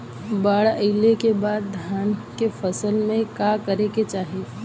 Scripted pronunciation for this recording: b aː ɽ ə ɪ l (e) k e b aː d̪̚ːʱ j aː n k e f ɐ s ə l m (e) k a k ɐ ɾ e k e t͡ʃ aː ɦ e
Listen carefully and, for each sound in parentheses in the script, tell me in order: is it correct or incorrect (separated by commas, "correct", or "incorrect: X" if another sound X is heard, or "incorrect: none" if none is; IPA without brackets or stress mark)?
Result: correct, incorrect: ẽ